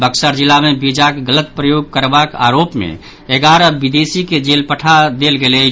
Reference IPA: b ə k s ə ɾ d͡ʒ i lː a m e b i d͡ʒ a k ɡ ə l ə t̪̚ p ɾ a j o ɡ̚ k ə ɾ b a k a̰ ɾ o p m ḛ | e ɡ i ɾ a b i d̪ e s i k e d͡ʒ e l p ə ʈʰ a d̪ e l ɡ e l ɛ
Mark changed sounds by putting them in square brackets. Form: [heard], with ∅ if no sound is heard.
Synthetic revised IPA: b ə k s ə ɾ d͡ʒ i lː a m e b i d͡ʒ a k ɡ ə l ə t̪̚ p ɾ [ə] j o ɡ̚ k ə ɾ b a k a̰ ɾ o p m ḛ | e ɡ [a] ɾ [ə] b i d̪ e s i k e d͡ʒ e l p ə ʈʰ a d̪ e l ɡ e l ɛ